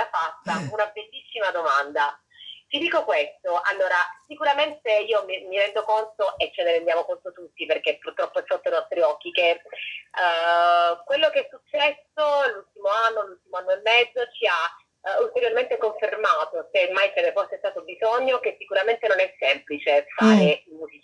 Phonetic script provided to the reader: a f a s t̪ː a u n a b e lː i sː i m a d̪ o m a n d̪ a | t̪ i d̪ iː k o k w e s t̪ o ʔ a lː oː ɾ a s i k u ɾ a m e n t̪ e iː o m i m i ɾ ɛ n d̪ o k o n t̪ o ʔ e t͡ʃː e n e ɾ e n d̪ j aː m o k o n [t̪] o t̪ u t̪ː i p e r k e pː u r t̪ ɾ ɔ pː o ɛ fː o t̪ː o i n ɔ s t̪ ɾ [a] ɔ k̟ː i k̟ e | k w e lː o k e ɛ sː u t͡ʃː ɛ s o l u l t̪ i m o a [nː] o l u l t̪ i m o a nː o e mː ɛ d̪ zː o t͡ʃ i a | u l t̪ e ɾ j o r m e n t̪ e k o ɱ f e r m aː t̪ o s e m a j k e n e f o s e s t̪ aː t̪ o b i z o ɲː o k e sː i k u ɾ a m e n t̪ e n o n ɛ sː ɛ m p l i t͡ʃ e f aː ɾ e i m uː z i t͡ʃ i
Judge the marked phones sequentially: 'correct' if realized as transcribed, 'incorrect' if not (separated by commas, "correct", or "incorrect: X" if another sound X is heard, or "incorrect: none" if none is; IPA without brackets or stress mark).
correct, incorrect: i, correct